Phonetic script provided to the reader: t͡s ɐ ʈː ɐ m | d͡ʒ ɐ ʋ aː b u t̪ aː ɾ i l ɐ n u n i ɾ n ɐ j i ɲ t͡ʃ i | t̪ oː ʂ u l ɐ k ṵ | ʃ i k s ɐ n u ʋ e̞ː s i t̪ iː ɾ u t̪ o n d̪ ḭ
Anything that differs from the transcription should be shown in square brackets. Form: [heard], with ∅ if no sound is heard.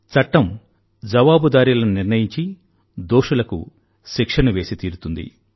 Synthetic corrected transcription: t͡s ɐ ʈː ɐ m | d͡ʒ ɐ ʋ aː b u [d̪] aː ɾ i l ɐ n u n i ɾ n ɐ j i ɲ t͡ʃ i | [d̪] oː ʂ u l ɐ k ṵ | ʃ i k [ʂ] ɐ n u ʋ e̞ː s i t̪ iː ɾ u t̪ [u] n d̪ ḭ